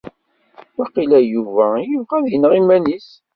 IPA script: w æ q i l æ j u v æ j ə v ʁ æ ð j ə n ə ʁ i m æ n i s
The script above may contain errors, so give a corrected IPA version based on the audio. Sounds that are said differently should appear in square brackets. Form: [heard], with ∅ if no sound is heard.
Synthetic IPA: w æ q i l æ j u v æ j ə v ʁ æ ð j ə n ə ʁ i m æ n i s